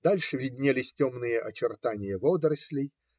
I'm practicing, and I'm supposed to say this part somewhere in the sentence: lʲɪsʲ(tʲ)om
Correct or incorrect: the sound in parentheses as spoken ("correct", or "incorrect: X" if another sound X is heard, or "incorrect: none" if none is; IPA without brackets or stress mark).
correct